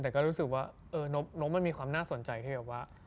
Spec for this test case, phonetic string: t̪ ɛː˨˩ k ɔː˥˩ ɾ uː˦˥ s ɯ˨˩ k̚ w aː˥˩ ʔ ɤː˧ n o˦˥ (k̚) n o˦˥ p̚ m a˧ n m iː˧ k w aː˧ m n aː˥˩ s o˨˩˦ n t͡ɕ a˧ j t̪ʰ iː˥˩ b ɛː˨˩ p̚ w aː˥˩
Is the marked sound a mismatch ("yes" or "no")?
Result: yes